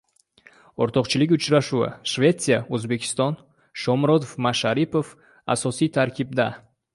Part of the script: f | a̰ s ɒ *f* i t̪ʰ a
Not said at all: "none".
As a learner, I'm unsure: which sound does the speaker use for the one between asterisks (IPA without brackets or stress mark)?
s